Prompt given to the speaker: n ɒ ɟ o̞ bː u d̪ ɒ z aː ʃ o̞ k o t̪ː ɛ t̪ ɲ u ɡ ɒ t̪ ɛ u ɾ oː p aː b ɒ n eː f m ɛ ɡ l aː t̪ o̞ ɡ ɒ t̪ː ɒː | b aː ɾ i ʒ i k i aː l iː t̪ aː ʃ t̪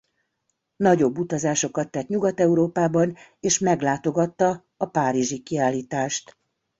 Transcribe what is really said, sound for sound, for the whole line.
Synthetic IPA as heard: n ɒ ɟ o̞ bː u t̪ ɒ z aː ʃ o̞ k ɒ t̪ː ɛ t̪ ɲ u ɡ ɒ t̪ ɛ u ɾ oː p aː b ɒ n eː ʃ m ɛ ɡ l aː t̪ o̞ ɡ ɒ t̪ː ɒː | p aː ɾ i ʒ i k i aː l iː t̪ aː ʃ t̪